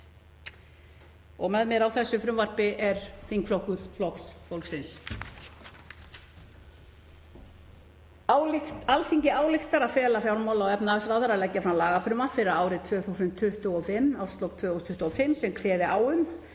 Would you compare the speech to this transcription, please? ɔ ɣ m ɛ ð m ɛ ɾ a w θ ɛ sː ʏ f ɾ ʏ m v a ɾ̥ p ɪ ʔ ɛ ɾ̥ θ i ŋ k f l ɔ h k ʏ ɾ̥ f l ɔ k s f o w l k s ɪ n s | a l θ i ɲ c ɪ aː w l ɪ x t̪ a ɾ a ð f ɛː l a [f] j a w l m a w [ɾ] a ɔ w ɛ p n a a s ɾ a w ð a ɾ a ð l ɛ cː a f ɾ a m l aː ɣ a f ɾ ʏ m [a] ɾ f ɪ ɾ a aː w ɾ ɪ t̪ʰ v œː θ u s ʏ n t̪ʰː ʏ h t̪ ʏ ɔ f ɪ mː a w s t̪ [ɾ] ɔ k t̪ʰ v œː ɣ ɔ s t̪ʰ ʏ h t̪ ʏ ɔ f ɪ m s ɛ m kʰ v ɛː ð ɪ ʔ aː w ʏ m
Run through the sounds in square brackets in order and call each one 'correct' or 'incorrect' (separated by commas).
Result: correct, incorrect, correct, incorrect